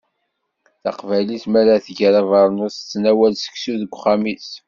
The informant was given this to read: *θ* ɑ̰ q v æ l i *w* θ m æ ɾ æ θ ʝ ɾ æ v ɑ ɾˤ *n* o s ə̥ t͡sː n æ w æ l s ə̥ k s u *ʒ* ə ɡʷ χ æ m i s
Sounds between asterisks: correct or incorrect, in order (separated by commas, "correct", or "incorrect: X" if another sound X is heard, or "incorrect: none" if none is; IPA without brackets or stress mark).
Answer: correct, incorrect: none, correct, incorrect: ð